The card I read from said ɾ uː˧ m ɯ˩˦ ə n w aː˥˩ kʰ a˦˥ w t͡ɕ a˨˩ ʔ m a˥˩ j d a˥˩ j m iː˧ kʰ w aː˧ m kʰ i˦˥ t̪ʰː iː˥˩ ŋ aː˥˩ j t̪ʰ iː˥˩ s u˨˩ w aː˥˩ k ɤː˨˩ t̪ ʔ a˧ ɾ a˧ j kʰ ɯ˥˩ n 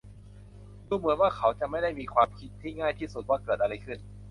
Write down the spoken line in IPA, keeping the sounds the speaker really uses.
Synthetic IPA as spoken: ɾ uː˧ m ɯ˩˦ ə n w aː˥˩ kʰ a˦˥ w t͡ɕ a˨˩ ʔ m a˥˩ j d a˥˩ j m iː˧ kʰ w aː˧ m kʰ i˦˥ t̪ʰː iː˥˩ ŋ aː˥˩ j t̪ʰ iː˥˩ s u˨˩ w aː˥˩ k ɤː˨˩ t̪ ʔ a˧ ɾ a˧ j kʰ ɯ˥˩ n